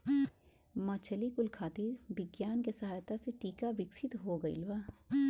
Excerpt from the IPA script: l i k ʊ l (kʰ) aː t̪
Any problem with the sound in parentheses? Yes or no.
no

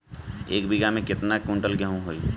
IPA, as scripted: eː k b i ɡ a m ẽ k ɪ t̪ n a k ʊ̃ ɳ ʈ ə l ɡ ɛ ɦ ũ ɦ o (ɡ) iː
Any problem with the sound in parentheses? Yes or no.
yes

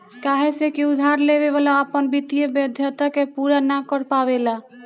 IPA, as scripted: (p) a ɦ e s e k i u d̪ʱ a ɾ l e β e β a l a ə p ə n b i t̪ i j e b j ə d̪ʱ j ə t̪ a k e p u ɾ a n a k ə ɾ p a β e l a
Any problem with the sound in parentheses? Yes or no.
yes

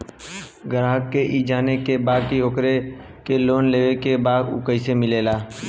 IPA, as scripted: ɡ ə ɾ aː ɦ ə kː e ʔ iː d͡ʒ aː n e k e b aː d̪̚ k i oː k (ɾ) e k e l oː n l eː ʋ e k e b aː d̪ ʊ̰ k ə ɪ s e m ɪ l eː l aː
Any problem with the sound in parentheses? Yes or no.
no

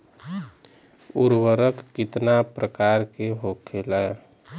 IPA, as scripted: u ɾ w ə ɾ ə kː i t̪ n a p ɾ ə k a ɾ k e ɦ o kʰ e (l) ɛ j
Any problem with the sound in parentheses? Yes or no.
no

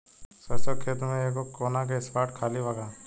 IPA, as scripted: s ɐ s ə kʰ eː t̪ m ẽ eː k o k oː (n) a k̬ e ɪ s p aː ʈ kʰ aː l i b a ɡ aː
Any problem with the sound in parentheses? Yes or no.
no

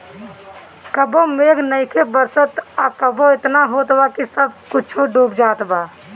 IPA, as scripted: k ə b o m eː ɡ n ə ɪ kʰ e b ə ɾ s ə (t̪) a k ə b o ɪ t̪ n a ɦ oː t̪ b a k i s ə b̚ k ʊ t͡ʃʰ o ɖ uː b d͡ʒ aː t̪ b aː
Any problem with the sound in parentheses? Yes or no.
no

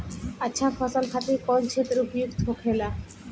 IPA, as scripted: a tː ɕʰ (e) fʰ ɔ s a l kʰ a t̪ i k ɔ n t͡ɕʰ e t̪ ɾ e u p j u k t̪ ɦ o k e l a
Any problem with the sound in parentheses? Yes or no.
yes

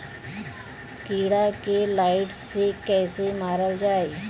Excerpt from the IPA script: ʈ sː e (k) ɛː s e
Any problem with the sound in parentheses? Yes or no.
no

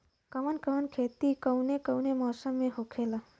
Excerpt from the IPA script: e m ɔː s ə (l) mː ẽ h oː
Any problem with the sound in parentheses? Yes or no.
yes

